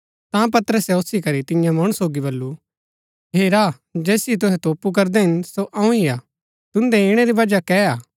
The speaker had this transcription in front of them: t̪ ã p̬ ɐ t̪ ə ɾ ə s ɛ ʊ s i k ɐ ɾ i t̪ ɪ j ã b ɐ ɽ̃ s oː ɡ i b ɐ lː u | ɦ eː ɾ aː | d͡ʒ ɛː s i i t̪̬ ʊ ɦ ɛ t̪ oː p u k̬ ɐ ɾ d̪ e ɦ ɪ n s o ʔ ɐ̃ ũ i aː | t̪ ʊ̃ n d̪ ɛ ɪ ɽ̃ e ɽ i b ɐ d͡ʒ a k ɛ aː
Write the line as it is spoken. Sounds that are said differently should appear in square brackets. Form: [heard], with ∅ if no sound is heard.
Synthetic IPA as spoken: t̪ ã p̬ ɐ t̪ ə ɾ ə s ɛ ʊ s i k ɐ ɾ i t̪ ɪ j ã [m] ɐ ɽ̃ s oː ɡ i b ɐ lː u | ɦ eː ɾ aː | d͡ʒ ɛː s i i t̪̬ ʊ ɦ ɛ t̪ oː p u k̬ ɐ ɾ d̪ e ɦ ɪ n s o ʔ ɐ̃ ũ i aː | t̪ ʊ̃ n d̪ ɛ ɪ ɽ̃ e [ɾ] i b ɐ d͡ʒ a k ɛ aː

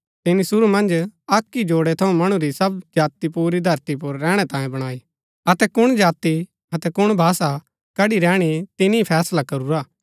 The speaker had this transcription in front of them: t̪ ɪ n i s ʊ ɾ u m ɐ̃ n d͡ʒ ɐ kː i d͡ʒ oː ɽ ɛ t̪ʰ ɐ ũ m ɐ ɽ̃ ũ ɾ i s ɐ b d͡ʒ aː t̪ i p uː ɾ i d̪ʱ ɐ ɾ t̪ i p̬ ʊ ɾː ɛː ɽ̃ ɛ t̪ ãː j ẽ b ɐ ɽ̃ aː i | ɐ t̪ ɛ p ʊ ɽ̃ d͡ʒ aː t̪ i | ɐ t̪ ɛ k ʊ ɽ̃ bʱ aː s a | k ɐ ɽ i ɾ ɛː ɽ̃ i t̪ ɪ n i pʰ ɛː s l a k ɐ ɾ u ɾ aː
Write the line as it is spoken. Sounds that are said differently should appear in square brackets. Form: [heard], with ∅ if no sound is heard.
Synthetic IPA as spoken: t̪ ɪ n i s ʊ ɾ u m ɐ̃ n d͡ʒ ɐ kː i d͡ʒ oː ɽ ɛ t̪ʰ ɐ ũ m ɐ ɽ̃ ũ ɾ i s ɐ b d͡ʒ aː t̪ i p uː ɾ i d̪ʱ ɐ ɾ t̪ i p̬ ʊ ɾː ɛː ɽ̃ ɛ t̪ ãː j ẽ b ɐ ɽ̃ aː i | ɐ t̪ ɛ [k] ʊ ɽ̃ d͡ʒ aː t̪ i | ɐ t̪ ɛ k ʊ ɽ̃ bʱ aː s a | k ɐ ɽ i ɾ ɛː ɽ̃ i t̪ ɪ n i pʰ ɛː s l a k ɐ ɾ u ɾ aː

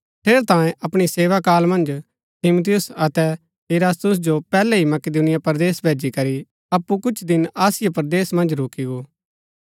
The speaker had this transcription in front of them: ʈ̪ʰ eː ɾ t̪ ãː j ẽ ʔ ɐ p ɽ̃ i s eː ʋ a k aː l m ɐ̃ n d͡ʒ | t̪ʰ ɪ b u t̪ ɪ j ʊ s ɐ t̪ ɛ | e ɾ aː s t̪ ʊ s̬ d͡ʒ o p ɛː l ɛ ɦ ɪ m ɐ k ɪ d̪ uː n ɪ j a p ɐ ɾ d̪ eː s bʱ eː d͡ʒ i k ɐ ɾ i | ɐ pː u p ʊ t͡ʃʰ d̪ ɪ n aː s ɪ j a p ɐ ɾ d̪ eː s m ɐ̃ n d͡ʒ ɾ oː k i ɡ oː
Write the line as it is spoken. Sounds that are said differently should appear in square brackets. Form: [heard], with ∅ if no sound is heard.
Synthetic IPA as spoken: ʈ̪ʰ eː ɾ t̪ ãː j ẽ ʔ ɐ p ɽ̃ i s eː ʋ a k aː l m ɐ̃ n d͡ʒ | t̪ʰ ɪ [m] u t̪ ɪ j ʊ s ɐ t̪ ɛ | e ɾ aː s t̪ ʊ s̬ d͡ʒ o p ɛː l ɛ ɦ [i] m ɐ k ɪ d̪ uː n ɪ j a p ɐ ɾ d̪ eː s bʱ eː d͡ʒ i k ɐ ɾ i | ɐ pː u [k] ʊ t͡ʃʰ d̪ ɪ n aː s ɪ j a p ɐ ɾ d̪ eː s m ɐ̃ n d͡ʒ ɾ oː k i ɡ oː

